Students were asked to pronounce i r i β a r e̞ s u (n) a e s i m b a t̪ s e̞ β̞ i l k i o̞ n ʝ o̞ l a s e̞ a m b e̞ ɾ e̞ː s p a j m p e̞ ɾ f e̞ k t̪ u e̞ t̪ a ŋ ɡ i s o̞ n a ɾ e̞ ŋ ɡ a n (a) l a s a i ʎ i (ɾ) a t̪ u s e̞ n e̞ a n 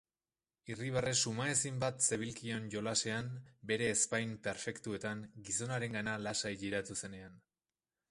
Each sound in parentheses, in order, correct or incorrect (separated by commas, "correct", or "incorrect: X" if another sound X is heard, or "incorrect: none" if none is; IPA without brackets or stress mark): incorrect: m, correct, correct